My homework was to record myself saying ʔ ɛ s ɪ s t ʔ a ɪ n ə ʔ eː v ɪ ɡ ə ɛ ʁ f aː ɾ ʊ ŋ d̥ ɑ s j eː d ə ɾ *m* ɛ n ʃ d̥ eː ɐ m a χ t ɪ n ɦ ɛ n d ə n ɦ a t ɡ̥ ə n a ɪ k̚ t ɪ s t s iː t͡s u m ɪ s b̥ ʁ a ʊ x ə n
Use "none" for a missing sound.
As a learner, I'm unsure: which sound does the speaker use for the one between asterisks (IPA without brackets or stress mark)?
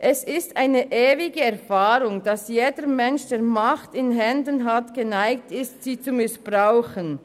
m